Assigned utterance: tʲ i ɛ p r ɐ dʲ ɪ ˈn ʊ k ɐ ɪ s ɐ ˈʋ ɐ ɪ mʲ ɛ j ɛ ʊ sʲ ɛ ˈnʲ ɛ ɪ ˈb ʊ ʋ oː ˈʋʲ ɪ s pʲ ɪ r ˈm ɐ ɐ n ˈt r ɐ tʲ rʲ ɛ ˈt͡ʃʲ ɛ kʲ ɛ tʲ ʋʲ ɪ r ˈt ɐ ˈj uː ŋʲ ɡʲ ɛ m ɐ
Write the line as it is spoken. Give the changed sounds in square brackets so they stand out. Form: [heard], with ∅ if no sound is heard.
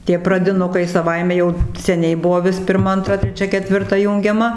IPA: tʲ i ɛ p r ɐ dʲ ɪ ˈn ʊ k ɐ ɪ s ɐ ˈʋ ɐ ɪ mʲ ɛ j ɛ ʊ sʲ ɛ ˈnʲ ɛ ɪ ˈb ʊ ʋ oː ˈʋʲ ɪ s pʲ ɪ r ˈm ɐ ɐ n ˈt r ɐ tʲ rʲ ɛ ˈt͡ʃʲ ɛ kʲ ɛ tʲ ʋʲ ɪ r ˈt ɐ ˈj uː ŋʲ ɡʲ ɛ m ɐ